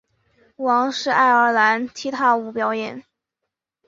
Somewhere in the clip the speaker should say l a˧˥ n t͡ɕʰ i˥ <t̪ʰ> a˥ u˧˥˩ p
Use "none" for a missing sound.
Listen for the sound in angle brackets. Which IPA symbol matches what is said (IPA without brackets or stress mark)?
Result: t̪ʰ